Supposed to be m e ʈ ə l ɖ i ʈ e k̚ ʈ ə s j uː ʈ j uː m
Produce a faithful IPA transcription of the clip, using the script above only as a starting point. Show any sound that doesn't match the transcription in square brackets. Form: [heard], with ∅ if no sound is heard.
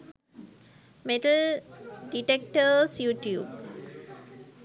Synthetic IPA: m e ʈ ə l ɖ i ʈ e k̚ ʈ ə s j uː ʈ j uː [b]